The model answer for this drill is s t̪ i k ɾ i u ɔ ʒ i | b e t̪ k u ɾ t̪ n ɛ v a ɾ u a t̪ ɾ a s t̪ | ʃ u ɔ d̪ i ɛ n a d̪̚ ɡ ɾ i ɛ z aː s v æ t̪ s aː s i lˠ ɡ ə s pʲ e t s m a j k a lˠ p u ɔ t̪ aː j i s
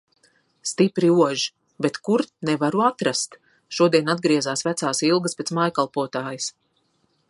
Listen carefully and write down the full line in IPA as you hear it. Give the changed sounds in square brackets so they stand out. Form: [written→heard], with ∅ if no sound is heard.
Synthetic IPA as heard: s t̪ i [k→p] ɾ i u ɔ ʒ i | b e t̪ k u ɾ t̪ n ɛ v a ɾ u a t̪ ɾ a s t̪ | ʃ u ɔ d̪ i ɛ n a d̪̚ ɡ ɾ i ɛ z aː s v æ t̪ s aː s i lˠ ɡ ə s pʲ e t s m a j k a lˠ p u ɔ t̪ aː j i s